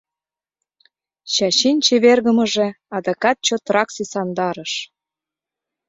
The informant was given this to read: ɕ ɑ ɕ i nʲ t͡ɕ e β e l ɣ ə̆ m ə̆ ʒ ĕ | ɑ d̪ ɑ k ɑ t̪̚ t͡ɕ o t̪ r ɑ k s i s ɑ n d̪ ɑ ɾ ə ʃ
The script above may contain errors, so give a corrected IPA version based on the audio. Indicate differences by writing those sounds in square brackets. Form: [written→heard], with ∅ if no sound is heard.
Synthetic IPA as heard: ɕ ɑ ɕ i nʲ t͡ɕ e β e [l→r] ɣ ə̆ m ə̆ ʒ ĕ | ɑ d̪ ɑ k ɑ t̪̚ t͡ɕ o t̪ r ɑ k s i s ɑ n d̪ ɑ ɾ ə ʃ